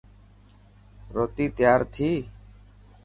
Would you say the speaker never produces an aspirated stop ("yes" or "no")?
no